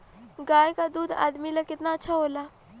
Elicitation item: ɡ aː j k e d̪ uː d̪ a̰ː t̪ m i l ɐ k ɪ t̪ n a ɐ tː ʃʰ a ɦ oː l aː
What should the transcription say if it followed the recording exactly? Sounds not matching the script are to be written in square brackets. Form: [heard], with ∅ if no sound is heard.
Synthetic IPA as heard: ɡ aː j k [a] d̪ uː d̪ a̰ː [d̪] m i l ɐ k ɪ t̪ n a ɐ tː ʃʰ a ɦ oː l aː